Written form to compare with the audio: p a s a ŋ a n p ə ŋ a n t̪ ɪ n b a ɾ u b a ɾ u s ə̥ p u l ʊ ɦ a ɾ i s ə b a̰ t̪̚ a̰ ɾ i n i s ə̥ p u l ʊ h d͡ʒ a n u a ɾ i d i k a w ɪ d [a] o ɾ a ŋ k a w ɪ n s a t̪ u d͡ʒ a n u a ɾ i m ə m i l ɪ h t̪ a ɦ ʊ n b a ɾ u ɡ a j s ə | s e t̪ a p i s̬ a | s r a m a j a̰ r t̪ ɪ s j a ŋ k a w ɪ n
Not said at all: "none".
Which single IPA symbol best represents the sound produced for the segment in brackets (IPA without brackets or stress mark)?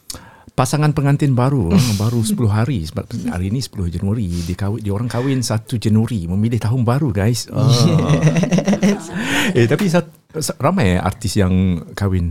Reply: i